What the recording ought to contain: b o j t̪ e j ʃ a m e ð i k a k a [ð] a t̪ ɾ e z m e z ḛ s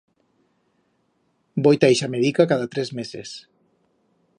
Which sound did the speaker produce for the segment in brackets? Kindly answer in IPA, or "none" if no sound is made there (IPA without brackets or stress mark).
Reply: ð